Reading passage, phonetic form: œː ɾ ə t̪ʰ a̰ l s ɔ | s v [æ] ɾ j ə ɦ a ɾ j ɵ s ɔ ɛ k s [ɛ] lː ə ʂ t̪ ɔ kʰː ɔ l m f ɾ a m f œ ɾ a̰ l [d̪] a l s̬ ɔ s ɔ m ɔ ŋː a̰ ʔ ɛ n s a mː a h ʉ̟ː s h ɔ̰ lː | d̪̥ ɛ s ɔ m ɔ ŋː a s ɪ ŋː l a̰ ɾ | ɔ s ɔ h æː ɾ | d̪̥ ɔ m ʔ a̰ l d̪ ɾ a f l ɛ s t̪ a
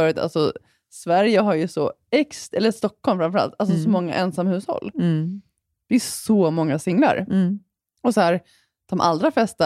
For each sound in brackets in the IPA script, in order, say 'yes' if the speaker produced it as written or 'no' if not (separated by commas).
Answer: yes, yes, no